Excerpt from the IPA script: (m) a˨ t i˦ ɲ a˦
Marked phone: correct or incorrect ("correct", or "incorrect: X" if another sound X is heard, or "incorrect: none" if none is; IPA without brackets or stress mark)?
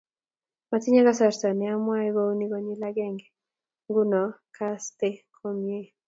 correct